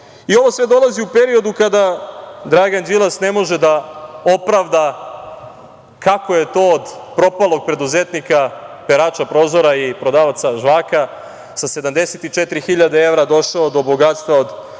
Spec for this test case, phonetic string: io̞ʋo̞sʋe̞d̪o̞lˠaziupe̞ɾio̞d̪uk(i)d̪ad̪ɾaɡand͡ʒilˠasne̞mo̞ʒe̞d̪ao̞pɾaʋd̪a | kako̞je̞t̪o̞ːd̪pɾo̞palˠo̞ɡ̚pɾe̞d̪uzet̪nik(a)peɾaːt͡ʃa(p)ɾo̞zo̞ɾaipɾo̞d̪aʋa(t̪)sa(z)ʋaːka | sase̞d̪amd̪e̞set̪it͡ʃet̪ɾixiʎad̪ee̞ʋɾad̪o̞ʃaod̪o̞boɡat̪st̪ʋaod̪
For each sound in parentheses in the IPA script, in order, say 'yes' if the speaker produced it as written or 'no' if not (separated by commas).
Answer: no, yes, yes, yes, no